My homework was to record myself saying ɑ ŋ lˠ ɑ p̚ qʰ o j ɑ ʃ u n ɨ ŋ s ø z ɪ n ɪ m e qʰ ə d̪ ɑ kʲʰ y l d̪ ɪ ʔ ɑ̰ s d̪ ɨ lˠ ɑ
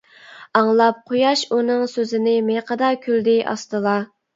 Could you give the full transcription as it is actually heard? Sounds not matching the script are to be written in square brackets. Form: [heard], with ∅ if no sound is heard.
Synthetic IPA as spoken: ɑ ŋ lˠ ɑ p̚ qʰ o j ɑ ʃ u n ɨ ŋ s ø z ɪ n ɪ m e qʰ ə d̪ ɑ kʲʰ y l d̪ ɪ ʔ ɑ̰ s [t̪] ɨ lˠ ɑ